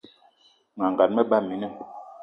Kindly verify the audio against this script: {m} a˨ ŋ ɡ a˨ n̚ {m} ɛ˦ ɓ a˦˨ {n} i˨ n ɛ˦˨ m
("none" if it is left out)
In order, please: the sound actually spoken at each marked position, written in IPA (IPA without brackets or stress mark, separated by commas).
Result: ŋ, m, m